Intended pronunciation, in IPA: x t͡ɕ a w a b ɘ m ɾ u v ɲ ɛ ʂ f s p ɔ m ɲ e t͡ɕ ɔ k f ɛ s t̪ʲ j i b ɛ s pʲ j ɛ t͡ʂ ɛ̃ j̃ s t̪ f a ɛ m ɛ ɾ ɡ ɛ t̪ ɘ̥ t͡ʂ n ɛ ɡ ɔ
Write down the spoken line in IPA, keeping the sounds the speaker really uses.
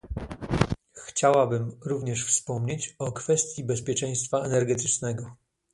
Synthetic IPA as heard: x t͡ɕ a w a b ɘ m ɾ u v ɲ ɛ ʂ f s p ɔ m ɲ e t͡ɕ ɔ k f ɛ s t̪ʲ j i b ɛ s pʲ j ɛ t͡ʂ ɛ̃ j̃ s t̪ f a ɛ n ɛ ɾ ɡ ɛ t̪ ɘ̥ t͡ʂ n ɛ ɡ ɔ